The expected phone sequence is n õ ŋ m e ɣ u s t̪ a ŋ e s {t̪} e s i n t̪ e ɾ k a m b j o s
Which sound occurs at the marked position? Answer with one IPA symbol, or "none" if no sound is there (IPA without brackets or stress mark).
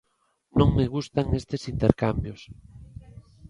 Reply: t̪